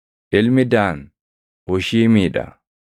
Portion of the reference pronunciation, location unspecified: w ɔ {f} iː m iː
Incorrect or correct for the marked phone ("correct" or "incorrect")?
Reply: incorrect